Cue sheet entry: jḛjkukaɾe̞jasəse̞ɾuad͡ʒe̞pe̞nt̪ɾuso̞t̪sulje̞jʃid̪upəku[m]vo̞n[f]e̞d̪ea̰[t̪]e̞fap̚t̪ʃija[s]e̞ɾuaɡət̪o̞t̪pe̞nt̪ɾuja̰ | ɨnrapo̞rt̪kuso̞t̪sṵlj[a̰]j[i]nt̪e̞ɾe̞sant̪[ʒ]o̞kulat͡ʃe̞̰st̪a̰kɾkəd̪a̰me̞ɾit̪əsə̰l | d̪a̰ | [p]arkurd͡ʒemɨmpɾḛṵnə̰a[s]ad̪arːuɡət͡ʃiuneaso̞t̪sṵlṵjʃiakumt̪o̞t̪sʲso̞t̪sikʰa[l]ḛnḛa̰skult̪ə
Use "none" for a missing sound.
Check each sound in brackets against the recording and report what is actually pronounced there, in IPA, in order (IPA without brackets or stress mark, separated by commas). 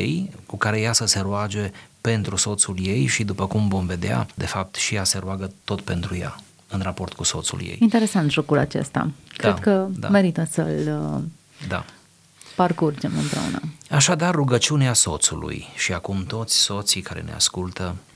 m, v, d̪, s, ḛ, i, ʒ, p, ʃ, ɾ